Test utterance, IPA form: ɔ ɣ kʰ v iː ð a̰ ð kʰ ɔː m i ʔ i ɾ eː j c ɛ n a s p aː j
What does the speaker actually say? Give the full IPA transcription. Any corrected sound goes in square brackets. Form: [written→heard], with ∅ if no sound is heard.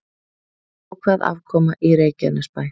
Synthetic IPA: ɔ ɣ kʰ v [iː→aː] ð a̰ [ð→v] kʰ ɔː m [i→a] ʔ i ɾ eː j c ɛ n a s p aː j